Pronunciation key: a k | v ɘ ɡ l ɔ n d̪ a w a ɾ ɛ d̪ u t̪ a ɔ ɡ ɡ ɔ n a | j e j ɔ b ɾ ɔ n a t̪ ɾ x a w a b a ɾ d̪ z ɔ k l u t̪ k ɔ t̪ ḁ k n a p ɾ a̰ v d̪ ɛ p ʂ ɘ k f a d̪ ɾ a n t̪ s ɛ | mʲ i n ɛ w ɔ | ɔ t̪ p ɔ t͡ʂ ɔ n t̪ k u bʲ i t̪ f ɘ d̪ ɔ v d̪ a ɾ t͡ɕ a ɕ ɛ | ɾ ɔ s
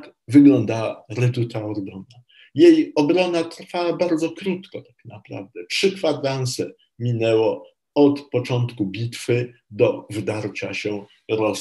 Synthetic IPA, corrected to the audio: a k | v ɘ ɡ l ɔ n d̪ a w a ɾ ɛ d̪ u t̪ a ɔ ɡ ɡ ɔ n a | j e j ɔ b ɾ ɔ n a t̪ ɾ f a w a b a ɾ d̪ z ɔ k ɾ u t̪ k ɔ t̪ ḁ k n a p ɾ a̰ v d̪ ɛ p ʂ ɘ k f a d̪ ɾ a n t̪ s ɛ | mʲ i n ɛ w ɔ | ɔ t̪ p ɔ t͡ʂ ɔ n t̪ k u bʲ i t̪ f ɘ d̪ ɔ v d̪ a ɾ t͡ɕ a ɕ ɛ | ɾ ɔ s